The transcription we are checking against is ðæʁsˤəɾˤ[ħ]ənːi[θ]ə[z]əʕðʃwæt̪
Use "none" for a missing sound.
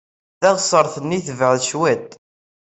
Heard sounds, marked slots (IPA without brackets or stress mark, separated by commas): θ, θ, v